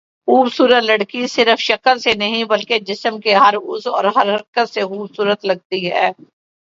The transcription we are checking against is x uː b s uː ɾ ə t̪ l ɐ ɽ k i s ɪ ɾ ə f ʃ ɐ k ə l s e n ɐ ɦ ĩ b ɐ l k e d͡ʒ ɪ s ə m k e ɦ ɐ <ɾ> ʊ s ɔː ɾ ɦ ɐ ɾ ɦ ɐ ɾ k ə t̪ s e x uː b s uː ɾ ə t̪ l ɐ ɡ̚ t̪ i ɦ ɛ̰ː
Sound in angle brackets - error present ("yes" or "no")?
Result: no